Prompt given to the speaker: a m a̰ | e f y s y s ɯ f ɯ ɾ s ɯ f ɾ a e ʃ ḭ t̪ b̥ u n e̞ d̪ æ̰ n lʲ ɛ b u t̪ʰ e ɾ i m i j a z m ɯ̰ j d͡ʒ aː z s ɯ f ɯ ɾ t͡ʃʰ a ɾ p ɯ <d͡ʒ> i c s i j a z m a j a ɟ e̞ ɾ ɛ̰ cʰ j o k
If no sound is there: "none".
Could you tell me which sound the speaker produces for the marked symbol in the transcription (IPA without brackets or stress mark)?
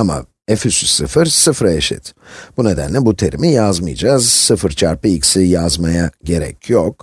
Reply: none